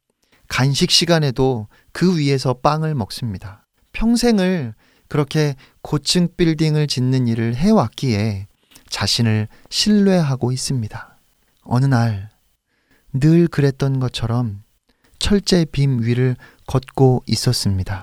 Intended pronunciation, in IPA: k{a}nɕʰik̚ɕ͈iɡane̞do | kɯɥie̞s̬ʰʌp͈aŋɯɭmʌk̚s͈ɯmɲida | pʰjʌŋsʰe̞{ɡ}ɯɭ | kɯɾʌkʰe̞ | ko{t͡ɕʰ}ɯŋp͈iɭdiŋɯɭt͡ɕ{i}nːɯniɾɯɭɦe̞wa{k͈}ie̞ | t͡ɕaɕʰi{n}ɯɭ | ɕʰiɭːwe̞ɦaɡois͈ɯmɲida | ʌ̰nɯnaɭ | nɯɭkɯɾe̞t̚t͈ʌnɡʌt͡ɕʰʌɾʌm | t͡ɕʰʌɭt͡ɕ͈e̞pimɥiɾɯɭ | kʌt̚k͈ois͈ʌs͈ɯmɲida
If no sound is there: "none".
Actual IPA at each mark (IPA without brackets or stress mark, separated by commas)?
a, ŋ, t͡ɕʰ, i, k͈, n